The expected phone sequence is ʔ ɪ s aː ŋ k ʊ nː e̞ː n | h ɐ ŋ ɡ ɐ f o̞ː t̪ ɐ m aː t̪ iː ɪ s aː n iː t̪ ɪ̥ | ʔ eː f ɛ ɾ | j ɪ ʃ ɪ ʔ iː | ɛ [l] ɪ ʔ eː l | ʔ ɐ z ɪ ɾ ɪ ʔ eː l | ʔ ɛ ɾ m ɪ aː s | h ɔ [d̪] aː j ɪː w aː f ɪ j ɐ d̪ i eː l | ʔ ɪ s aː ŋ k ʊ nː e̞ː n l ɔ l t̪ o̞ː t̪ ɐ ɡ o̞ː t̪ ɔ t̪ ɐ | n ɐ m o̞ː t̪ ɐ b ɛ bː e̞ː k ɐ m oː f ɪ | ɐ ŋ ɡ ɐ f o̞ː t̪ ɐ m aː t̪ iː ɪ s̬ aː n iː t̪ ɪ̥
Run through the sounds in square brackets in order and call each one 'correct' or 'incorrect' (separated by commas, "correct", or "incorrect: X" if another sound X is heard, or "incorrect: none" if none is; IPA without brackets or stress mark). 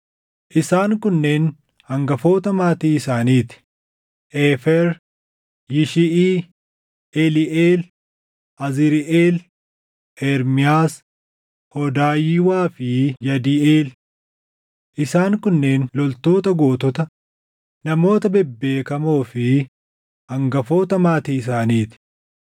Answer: correct, correct